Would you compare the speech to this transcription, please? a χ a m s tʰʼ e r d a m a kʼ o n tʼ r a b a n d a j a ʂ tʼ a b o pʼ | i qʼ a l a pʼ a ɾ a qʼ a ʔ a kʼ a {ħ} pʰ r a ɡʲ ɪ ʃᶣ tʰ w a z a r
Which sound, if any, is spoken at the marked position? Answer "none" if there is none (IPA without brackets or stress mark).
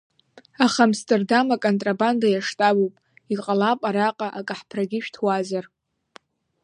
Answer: ħ